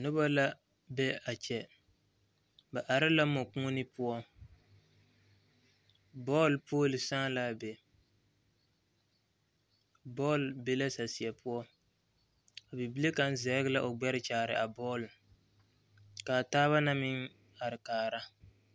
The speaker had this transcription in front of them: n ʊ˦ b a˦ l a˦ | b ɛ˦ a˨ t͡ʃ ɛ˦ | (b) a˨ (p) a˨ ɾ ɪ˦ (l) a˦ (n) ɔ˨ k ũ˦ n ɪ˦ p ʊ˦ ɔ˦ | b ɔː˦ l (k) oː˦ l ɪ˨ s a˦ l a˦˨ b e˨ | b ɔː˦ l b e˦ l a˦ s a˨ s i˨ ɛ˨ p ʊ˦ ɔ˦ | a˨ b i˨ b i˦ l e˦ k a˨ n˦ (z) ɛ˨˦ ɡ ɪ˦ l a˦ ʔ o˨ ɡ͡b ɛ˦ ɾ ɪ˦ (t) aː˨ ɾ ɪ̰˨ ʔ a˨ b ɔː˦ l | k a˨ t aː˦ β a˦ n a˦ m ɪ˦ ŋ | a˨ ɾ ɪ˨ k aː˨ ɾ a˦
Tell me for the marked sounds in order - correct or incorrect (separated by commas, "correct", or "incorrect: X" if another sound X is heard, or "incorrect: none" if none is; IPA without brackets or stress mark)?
correct, incorrect: ʔ, correct, incorrect: m, incorrect: p, correct, incorrect: t͡ʃ